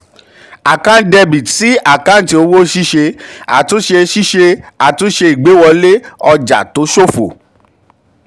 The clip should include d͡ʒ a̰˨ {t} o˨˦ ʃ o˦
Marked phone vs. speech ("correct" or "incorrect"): correct